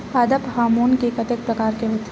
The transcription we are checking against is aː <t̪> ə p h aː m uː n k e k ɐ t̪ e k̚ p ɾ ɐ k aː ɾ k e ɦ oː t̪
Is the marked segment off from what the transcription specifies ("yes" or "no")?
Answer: yes